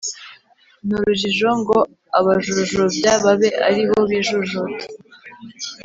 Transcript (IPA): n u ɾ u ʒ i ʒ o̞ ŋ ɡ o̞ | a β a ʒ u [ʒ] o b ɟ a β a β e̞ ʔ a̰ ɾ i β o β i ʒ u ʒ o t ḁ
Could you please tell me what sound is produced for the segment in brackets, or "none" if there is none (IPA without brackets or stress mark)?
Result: ʒ